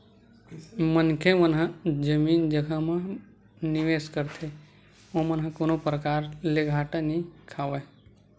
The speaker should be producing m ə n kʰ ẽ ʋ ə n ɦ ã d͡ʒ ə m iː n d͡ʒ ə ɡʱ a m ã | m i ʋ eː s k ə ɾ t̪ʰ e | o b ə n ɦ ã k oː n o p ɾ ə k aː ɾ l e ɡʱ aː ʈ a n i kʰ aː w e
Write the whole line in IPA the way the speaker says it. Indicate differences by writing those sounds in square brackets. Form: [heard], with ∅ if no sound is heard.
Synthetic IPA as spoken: m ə n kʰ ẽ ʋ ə n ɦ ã d͡ʒ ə m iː n d͡ʒ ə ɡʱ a m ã | [n] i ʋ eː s k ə ɾ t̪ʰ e | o [m] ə n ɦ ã k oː n o p ɾ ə k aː ɾ l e ɡʱ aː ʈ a n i kʰ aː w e